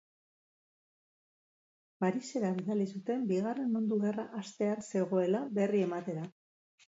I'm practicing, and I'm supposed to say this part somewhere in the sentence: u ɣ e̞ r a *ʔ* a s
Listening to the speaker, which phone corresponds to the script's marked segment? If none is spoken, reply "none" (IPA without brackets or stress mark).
ʔ